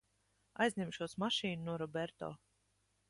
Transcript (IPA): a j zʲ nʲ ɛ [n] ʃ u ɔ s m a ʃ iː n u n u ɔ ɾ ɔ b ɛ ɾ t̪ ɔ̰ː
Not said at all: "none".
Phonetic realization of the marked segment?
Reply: m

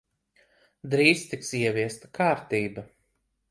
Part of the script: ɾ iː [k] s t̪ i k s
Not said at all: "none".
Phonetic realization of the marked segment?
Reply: none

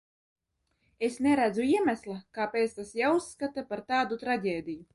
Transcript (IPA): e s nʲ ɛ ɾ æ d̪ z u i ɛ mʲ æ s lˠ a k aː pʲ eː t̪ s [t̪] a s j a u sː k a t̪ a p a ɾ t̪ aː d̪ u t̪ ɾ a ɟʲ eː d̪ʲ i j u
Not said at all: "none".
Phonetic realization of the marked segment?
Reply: t̪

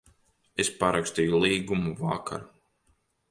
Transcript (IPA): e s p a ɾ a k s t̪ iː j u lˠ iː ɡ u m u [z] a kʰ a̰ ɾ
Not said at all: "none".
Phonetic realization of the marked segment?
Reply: v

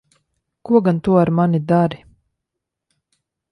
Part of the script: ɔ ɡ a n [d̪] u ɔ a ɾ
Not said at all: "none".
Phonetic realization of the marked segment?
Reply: t̪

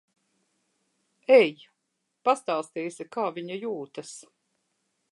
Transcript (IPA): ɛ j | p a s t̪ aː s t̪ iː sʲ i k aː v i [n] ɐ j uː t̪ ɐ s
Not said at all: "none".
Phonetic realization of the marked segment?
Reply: ɲ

